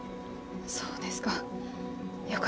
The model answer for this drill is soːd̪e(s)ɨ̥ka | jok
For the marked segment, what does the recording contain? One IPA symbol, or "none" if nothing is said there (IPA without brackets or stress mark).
s